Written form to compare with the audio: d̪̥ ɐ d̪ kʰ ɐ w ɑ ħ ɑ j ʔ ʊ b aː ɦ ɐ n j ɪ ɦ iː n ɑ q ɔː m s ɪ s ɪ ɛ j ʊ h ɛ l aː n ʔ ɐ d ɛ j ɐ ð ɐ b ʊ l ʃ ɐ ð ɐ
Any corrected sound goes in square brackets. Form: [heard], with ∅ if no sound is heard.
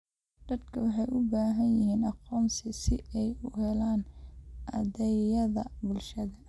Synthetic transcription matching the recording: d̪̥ ɐ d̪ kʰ ɐ w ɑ ħ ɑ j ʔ ʊ b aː ɦ ɐ n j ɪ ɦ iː n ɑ q ɔː m s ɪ s ɪ ɛ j ʊ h ɛ l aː n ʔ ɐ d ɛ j ɐ ð ɐ b ʊ l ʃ ɐ ð ɐ